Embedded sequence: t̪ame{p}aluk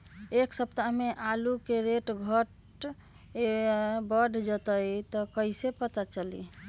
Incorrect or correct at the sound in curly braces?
incorrect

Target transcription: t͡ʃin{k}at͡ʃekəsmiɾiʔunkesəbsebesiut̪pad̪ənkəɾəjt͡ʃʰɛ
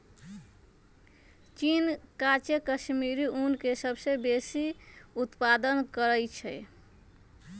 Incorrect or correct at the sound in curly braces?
correct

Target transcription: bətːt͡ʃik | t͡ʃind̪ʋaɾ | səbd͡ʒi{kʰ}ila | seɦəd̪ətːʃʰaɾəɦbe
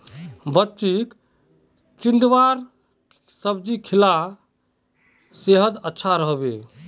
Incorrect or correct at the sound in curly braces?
correct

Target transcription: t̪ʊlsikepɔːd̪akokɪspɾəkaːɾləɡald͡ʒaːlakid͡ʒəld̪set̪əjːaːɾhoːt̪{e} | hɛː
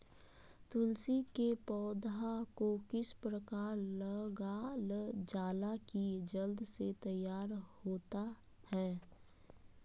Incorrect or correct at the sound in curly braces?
incorrect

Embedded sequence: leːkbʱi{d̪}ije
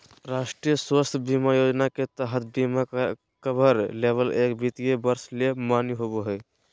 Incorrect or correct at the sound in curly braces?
incorrect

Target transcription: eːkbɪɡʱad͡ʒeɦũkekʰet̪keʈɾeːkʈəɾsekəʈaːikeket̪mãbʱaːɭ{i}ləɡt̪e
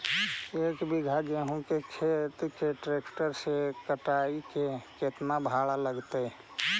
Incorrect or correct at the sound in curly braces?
incorrect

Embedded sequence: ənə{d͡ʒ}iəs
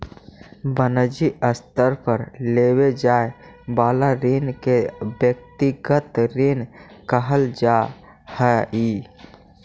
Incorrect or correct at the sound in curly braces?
correct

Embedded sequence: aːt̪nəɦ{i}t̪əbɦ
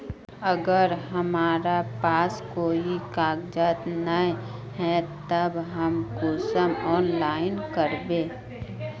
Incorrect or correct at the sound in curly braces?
incorrect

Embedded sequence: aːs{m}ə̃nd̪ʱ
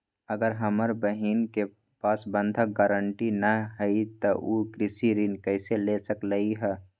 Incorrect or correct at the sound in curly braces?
incorrect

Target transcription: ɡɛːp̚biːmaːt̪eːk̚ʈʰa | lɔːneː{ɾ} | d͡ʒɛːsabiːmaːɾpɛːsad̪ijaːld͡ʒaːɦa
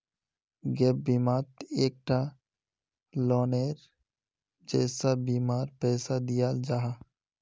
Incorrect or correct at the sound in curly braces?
correct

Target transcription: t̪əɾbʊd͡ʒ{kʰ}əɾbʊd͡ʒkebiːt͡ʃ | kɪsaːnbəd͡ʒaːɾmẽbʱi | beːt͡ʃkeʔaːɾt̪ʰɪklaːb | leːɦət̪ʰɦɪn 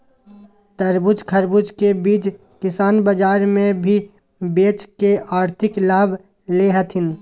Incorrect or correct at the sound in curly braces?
correct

